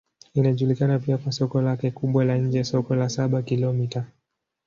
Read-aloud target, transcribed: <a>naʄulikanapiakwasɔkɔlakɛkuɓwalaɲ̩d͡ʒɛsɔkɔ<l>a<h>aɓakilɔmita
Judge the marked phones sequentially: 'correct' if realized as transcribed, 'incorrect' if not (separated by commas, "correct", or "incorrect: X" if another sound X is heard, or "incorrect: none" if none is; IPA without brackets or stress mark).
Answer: incorrect: i, correct, incorrect: s